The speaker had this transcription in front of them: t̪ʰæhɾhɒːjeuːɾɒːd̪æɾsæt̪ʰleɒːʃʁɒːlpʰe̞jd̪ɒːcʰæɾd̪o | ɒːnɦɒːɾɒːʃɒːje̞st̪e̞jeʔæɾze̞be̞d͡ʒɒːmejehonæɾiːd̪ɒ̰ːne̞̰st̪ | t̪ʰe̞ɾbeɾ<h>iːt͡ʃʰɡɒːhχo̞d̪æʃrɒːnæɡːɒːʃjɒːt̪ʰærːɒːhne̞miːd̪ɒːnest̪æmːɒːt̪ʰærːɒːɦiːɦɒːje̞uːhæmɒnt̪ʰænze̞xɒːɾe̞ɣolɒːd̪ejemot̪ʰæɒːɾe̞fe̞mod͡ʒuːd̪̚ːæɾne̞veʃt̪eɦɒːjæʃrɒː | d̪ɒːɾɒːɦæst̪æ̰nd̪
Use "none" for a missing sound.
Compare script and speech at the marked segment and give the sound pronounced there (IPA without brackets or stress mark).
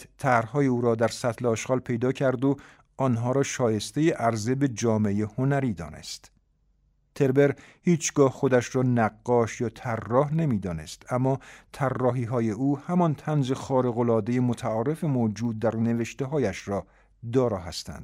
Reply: h